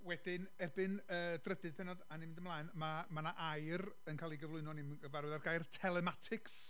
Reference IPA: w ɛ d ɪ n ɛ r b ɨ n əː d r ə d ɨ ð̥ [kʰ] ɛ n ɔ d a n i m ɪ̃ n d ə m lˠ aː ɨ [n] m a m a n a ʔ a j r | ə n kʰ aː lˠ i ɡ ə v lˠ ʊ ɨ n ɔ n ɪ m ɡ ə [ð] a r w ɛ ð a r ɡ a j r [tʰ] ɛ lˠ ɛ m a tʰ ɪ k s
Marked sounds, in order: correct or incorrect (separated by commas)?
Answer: incorrect, correct, incorrect, correct